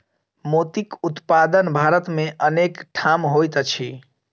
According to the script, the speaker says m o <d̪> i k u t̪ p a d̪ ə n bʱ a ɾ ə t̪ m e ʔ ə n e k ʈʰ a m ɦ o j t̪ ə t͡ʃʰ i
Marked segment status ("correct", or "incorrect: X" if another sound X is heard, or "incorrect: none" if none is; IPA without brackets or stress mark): incorrect: t̪